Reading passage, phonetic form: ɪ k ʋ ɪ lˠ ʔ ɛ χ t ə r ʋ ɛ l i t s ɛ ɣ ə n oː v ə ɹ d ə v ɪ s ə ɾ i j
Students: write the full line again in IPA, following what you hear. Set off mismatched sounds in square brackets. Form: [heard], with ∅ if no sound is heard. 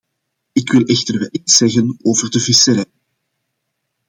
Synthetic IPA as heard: ɪ k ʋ ɪ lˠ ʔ ɛ [x] t ə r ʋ ɛ l i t s ɛ ɣ ə n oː v ə [r] d ə v ɪ s ə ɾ [ɛ] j

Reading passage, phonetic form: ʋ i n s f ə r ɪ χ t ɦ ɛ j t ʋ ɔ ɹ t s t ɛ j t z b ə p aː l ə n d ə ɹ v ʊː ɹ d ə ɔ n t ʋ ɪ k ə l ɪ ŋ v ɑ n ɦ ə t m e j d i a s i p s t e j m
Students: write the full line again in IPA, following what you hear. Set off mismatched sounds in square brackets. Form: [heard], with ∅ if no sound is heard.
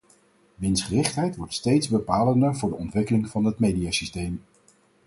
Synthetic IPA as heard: ʋ [ɪ] n s [χ] ə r ɪ χ t ɦ ɛ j t ʋ ɔ ɹ t s t [e] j t z b ə p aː l ə n d ə ɹ v ʊː ɹ d ə ɔ n t ʋ ɪ k ə l ɪ ŋ v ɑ n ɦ ə t m e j d i a s i [∅] s t e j m

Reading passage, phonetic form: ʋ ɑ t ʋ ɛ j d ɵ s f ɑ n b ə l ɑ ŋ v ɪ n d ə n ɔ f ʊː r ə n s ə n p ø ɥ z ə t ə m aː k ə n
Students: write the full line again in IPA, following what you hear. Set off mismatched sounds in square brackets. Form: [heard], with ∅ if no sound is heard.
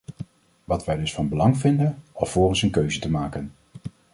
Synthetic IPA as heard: ʋ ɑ t ʋ ɛ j d ɵ s f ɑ n b ə l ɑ ŋ v ɪ n d ə n ɔ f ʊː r ə n s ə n [k] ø ɥ z ə t ə m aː k ə n

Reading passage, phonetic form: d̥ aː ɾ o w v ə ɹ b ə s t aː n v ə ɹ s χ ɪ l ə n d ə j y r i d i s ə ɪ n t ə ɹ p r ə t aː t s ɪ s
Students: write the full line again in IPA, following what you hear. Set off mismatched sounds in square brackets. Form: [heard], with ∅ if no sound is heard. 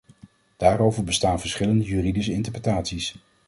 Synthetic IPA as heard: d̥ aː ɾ o w v ə ɹ b ə s t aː n v ə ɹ s χ ɪ l ə n d ə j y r i d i s ə ɪ n t ə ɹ p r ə t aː t s [i] s

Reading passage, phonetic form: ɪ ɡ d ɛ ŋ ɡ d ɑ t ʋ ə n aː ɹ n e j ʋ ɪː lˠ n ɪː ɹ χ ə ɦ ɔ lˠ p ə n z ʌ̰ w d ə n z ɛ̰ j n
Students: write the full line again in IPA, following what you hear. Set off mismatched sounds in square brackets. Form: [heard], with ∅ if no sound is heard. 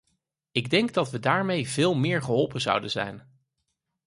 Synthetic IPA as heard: ɪ ɡ d ɛ ŋ ɡ d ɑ t ʋ ə [d] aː ɹ [m] e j [v] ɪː lˠ [m] ɪː ɹ χ ə ɦ ɔ lˠ p ə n z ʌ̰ w d ə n z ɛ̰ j n

